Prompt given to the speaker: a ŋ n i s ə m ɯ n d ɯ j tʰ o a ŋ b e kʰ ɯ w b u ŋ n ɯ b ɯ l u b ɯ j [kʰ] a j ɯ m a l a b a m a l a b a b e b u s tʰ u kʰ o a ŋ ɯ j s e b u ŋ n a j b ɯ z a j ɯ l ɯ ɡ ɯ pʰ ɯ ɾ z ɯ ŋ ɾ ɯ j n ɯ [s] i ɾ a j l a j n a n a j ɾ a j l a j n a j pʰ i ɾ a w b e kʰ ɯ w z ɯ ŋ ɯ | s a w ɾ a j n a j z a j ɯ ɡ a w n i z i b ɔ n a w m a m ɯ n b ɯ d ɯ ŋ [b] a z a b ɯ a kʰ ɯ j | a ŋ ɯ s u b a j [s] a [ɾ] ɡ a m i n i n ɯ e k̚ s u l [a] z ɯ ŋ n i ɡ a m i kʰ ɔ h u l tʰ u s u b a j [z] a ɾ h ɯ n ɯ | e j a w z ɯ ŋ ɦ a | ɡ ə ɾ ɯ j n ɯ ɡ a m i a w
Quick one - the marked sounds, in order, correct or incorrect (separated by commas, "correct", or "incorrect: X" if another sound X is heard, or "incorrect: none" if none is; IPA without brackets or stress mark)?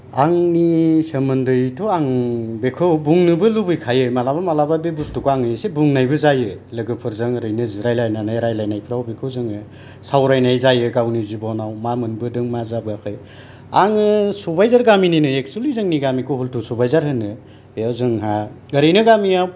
correct, incorrect: z, incorrect: m, incorrect: z, correct, incorrect: i, correct